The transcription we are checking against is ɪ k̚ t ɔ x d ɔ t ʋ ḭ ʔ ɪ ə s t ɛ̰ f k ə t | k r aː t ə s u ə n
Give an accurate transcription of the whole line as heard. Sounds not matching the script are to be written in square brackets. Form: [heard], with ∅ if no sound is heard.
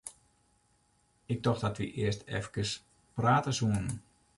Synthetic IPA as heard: ɪ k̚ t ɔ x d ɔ t ʋ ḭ ʔ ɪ ə s t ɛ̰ f k ə [s] | [p] r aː t ə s u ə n